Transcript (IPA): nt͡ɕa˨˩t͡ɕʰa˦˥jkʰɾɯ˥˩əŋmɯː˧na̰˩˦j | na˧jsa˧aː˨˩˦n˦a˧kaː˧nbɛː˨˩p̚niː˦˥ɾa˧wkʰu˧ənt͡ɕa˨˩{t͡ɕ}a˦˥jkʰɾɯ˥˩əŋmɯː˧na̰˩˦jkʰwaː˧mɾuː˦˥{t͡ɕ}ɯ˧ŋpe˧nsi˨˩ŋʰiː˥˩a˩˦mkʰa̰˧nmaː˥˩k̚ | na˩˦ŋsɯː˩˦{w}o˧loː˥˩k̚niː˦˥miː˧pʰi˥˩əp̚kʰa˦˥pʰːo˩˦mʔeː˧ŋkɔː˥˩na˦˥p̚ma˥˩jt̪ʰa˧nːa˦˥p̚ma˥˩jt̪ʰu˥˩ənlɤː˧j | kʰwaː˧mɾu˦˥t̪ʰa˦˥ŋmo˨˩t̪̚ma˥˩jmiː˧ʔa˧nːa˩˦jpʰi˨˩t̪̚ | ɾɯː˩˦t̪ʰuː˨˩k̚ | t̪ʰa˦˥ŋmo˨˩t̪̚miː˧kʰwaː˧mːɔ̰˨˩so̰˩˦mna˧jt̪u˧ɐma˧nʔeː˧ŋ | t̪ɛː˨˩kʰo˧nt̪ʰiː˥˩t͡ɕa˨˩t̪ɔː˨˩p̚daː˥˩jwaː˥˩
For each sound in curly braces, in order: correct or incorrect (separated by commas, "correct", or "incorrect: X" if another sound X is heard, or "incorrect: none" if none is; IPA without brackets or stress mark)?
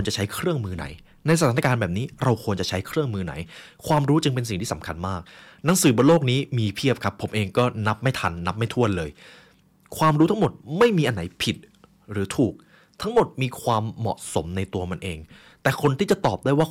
incorrect: t͡ɕʰ, correct, incorrect: b